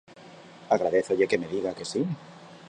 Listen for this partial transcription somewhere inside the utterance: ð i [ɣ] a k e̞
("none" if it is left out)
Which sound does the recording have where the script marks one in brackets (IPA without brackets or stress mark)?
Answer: ɣ